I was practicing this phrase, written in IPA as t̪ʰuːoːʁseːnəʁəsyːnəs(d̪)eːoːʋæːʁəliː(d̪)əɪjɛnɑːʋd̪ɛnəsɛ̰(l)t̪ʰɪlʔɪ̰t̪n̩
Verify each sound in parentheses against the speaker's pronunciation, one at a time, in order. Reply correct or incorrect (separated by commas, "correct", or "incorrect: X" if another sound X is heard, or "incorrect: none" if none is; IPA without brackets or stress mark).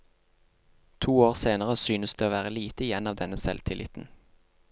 correct, incorrect: t̪, correct